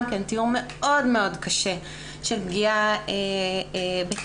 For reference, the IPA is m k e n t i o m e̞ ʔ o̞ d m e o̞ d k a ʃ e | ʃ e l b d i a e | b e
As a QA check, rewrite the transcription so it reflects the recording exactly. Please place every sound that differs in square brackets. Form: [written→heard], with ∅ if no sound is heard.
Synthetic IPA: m k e n t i [o→u] m e̞ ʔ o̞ d m e o̞ d k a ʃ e | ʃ e l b [d→ɡ] i a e | b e